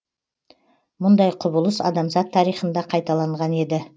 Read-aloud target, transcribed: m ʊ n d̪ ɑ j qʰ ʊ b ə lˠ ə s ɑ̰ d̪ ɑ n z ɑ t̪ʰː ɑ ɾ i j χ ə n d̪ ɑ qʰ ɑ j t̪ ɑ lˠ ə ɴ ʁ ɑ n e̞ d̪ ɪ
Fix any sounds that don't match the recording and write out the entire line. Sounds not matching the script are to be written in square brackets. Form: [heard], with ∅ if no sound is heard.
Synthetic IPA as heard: m ʊ n d̪ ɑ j qʰ ʊ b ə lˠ ə s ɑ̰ d̪ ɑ [m] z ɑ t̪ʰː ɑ ɾ i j χ ə n d̪ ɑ qʰ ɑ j t̪ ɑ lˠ [ɑ] ɴ ʁ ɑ n e̞ d̪ ɪ